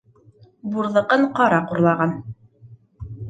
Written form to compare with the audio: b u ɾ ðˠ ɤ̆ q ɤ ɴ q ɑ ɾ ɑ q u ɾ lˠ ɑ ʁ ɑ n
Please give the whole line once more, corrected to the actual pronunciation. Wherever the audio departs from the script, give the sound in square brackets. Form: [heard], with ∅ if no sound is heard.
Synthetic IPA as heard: b u ɾ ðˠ ɤ̆ q ɤ ɴ q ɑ ɾ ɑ q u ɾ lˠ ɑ ʁ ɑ n